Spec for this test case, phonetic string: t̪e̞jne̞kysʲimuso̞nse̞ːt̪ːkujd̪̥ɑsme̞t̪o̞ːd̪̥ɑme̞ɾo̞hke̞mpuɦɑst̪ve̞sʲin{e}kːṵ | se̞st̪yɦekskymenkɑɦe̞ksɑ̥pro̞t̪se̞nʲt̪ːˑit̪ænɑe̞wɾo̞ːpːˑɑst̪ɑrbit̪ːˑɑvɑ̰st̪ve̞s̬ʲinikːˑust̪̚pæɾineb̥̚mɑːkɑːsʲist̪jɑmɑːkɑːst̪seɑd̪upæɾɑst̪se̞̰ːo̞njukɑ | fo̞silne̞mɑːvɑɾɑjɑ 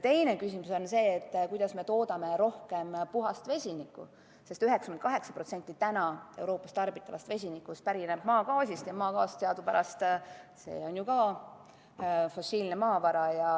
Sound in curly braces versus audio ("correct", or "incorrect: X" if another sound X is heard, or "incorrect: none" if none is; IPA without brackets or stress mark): incorrect: i